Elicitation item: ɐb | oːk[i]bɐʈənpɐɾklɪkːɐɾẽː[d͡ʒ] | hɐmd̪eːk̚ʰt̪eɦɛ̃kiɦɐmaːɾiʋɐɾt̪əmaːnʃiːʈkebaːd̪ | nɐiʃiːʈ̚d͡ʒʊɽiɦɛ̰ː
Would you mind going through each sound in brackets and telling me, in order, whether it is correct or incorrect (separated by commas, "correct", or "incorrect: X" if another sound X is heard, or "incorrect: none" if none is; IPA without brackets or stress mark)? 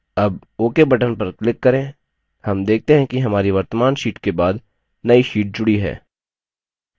incorrect: e, incorrect: none